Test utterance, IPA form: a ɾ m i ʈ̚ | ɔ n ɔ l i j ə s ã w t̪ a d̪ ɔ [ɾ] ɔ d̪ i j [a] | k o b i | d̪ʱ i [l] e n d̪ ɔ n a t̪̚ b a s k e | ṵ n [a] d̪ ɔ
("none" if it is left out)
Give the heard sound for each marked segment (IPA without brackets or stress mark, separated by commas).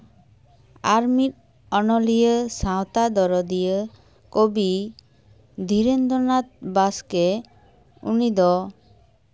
ɾ, ə, ɾ, i